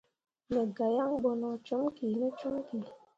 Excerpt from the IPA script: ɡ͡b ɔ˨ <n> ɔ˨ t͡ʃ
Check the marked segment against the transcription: correct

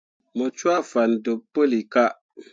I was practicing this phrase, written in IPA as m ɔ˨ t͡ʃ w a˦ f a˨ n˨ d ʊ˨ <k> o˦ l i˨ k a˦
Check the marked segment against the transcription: incorrect: p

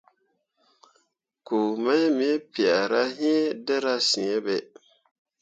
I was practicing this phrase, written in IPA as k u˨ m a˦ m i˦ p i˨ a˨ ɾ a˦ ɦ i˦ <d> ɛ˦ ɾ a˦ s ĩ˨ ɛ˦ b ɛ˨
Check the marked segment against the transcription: correct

